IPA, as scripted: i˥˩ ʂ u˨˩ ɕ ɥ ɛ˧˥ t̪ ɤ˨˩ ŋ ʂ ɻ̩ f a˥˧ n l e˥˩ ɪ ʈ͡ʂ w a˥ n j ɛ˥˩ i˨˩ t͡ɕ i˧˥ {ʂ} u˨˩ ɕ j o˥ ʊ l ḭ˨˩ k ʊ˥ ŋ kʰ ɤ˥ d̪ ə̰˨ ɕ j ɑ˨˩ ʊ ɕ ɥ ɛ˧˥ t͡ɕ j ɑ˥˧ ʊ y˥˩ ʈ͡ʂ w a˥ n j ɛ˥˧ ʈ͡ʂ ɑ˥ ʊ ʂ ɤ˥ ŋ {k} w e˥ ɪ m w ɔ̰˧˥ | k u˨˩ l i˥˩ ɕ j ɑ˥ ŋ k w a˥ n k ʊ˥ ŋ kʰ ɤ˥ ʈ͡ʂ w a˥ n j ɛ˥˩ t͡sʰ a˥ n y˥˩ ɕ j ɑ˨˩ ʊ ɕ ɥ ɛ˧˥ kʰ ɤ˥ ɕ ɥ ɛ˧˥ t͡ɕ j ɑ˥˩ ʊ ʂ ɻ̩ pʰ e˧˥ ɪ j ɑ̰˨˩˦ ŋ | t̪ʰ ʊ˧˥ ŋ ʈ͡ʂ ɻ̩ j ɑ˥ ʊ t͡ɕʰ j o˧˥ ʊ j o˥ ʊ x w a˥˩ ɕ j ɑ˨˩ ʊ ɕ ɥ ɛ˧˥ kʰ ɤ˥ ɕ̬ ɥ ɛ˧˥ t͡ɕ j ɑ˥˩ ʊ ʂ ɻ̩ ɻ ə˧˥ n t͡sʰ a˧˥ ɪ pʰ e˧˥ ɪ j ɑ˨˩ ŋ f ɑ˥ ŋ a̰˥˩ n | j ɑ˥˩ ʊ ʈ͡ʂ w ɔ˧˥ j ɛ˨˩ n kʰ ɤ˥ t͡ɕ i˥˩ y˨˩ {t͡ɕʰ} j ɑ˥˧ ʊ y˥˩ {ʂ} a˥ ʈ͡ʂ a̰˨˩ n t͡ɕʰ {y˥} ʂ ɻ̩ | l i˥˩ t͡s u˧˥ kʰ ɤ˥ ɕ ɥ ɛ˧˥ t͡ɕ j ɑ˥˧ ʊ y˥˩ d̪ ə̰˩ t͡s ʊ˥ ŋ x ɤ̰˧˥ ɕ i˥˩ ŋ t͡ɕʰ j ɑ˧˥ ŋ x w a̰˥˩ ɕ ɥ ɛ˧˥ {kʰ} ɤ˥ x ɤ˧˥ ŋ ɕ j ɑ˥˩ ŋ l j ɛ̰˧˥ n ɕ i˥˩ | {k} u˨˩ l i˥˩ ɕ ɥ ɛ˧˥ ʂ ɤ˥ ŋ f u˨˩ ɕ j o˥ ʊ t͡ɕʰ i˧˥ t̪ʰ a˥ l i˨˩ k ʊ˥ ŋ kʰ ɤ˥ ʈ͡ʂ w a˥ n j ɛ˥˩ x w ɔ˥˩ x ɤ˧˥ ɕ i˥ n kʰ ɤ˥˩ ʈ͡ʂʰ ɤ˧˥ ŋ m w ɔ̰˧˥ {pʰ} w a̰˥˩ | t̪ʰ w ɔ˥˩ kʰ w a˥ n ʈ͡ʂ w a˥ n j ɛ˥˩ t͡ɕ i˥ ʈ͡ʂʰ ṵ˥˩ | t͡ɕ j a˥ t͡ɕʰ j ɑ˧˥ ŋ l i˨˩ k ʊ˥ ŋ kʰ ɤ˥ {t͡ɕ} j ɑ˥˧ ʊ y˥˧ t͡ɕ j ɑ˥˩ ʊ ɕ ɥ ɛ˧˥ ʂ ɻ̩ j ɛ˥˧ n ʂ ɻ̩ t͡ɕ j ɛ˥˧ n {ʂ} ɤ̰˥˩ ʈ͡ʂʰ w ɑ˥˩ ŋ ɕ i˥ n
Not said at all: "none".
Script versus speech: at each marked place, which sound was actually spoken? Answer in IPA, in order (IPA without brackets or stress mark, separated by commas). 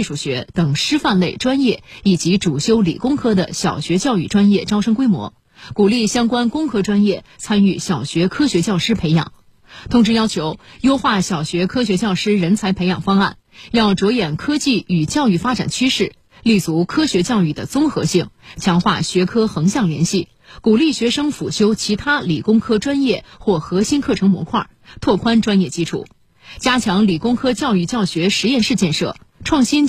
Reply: ʈ͡ʂ, k, t͡ɕ, f, y˥, kʰ, k, kʰ, t͡ɕ, ʂ